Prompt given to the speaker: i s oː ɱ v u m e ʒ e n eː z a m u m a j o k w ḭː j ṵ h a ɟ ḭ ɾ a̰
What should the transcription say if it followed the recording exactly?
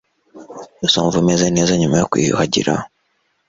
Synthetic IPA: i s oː ɱ v u m e z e n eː z a ɲ u m a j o k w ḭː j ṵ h a ɟ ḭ ɾ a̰